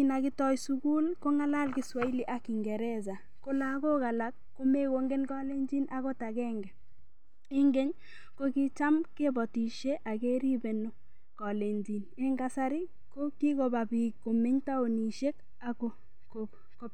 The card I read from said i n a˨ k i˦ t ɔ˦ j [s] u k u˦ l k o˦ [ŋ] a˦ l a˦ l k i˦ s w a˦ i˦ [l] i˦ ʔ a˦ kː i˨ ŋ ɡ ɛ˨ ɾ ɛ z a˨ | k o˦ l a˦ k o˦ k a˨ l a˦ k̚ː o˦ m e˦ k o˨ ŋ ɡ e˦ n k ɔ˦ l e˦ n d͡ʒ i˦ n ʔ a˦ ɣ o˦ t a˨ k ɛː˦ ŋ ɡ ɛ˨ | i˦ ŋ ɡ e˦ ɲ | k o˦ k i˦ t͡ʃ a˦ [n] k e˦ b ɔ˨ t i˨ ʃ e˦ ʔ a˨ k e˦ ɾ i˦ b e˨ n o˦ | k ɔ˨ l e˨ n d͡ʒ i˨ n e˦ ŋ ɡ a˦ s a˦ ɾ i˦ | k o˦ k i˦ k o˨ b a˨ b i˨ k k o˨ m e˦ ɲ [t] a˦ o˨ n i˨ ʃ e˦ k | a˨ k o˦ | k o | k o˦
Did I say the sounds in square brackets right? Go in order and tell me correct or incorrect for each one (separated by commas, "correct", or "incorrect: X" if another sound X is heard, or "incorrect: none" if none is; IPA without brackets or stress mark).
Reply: correct, correct, correct, incorrect: m, correct